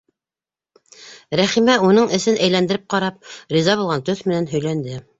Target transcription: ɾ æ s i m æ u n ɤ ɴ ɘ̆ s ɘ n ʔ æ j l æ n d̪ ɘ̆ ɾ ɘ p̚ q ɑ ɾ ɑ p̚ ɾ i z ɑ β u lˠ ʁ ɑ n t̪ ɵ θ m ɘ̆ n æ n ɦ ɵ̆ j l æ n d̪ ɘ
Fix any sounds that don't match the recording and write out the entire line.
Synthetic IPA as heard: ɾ æ χ i m æ u n ɤ ɴ ɘ̆ s ɘ n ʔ æ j l æ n d̪ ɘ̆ ɾ ɘ p̚ q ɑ ɾ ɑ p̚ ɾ i z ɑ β u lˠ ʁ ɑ n t̪ ɵ θ m ɘ̆ n æ n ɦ ɵ̆ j l æ n d̪ ɘ